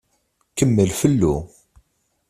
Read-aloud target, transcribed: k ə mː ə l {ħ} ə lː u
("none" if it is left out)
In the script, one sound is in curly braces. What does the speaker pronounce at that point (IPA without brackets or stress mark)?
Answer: f